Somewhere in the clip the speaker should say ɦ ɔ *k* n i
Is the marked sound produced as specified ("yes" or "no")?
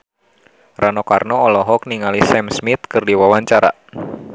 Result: yes